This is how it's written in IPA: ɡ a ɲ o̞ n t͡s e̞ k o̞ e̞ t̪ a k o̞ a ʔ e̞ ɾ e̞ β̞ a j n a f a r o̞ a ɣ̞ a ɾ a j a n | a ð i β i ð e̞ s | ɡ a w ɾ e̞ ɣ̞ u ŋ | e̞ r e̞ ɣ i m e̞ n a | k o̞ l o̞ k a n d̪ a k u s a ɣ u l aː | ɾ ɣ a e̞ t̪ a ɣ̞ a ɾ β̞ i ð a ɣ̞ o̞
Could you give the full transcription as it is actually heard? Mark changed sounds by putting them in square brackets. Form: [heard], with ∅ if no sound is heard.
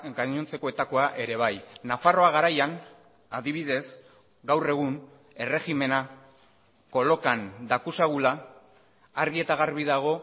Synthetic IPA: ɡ a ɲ o̞ n t͡s e̞ k o̞ e̞ t̪ a k o̞ a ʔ e̞ ɾ e̞ β̞ a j n a f a r o̞ a ɣ̞ a ɾ a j a n | a ð i β i ð e̞ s | ɡ a w [r] e̞ ɣ̞ u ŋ | e̞ r e̞ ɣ i m e̞ n a | k o̞ l o̞ k a n d̪ a k u s a ɣ u l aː | ɾ ɣ [i] e̞ t̪ a ɣ̞ a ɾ β̞ i ð a ɣ̞ o̞